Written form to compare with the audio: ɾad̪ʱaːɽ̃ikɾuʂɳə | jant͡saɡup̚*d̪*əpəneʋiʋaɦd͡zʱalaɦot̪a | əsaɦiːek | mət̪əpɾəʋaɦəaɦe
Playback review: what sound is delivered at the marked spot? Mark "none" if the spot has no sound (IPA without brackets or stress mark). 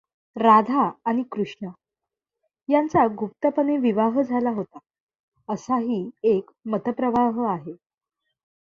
t̪